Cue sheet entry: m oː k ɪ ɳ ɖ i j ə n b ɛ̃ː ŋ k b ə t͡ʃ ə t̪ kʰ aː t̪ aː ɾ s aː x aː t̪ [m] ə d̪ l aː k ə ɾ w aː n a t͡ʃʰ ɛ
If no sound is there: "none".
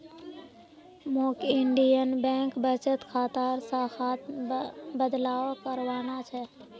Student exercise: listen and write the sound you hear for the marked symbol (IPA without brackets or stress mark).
b